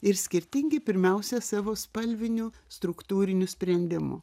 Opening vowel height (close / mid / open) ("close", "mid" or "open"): close